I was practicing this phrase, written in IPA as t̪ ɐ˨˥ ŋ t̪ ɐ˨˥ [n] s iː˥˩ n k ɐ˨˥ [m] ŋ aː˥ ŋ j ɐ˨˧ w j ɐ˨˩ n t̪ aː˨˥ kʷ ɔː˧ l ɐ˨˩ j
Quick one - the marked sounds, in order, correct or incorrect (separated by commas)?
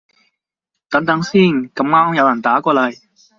incorrect, correct